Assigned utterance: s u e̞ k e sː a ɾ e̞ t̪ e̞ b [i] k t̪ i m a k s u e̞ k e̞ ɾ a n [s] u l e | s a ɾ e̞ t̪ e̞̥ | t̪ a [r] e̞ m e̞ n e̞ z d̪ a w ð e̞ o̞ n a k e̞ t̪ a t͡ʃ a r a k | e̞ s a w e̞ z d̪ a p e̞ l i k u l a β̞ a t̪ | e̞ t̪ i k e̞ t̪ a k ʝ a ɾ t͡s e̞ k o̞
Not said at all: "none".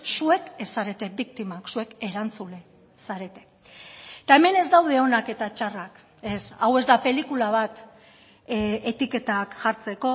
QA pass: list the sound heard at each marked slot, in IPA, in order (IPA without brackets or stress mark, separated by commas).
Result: i, t͡s, none